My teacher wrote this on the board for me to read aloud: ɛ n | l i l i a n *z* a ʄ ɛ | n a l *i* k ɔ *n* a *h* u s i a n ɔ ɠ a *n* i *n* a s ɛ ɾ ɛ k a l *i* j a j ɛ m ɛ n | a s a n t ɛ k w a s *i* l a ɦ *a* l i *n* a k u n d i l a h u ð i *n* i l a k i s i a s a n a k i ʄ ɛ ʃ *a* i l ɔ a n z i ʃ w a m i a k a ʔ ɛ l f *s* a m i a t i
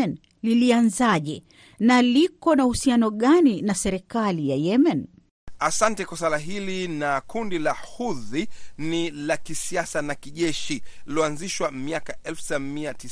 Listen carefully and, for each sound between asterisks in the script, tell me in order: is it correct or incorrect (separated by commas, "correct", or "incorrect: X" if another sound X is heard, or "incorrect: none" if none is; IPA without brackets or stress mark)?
correct, correct, correct, correct, correct, correct, correct, incorrect: a, incorrect: i, correct, correct, incorrect: i, correct